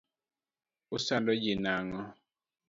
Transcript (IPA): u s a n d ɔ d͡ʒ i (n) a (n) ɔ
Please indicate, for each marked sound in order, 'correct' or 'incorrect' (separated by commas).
correct, incorrect